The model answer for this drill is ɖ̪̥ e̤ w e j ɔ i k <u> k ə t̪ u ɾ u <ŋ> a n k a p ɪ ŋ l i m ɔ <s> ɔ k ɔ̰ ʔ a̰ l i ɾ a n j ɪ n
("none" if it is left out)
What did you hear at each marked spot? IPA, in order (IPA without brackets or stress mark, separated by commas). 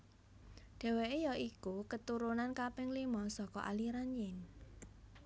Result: u, n, s